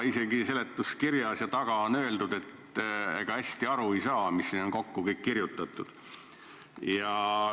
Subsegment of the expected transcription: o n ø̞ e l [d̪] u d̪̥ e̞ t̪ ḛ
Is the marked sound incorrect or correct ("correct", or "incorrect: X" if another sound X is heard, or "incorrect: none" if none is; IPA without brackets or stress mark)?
correct